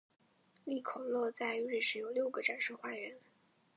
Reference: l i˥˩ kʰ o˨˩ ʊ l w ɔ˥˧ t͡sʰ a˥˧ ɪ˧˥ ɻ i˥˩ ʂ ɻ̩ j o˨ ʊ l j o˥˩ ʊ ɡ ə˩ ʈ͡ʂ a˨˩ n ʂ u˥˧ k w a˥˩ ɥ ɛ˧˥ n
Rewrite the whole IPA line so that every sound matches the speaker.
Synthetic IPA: l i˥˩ kʰ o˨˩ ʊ l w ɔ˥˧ t͡s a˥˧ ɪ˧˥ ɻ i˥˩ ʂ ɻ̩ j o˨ ʊ l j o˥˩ ʊ ɡ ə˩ ʈ͡ʂ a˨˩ n ʂ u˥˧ x w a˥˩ ɥ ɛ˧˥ n